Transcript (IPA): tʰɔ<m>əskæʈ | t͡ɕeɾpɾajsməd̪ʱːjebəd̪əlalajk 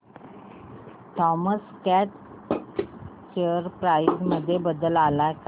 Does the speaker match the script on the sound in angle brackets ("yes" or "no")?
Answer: yes